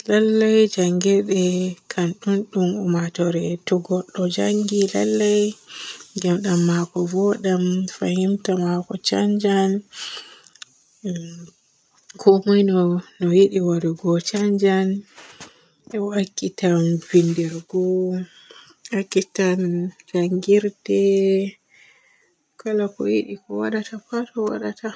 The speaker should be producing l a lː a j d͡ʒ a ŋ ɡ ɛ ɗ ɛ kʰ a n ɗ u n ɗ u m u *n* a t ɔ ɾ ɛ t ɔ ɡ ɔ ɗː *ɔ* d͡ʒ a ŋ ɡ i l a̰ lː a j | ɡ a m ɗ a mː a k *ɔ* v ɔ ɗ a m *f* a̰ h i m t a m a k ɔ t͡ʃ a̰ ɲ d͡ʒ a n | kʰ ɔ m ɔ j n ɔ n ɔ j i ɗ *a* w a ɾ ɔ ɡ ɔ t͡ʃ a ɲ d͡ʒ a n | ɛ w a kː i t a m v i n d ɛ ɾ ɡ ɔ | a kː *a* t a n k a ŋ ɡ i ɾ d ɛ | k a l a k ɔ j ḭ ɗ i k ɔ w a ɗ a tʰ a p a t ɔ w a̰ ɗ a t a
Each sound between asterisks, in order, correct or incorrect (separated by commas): incorrect, correct, correct, correct, incorrect, incorrect